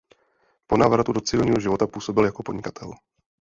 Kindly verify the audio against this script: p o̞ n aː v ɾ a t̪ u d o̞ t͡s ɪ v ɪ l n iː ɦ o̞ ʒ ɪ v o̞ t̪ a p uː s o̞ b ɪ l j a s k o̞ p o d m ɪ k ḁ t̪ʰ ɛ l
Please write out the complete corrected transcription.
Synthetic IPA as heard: p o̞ n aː v ɾ a t̪ u d o̞ t͡s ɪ v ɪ l ɲ iː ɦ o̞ ʒ ɪ v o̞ t̪ a p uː s o̞ b ɪ l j a k o̞ p o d ɲ ɪ k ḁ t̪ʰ ɛ l